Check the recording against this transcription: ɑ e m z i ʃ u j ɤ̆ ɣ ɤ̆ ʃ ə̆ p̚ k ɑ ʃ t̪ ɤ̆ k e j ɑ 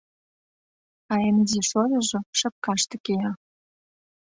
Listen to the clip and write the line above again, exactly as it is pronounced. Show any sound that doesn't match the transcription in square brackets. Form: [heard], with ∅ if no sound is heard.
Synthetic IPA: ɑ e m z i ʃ [o] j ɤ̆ [ʒ] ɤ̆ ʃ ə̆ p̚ k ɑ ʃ t̪ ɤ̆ k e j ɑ